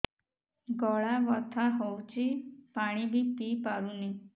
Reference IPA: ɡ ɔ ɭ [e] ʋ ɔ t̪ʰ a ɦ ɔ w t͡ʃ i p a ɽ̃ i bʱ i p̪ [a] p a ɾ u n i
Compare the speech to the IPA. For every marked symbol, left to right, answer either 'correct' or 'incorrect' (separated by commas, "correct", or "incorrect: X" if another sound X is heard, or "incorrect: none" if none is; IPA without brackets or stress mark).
incorrect: a, incorrect: i